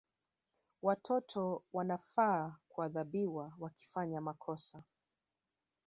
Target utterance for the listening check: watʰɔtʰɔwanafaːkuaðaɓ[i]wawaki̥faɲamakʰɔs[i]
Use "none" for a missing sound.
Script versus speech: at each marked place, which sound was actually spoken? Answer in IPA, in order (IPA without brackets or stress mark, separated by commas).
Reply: i, a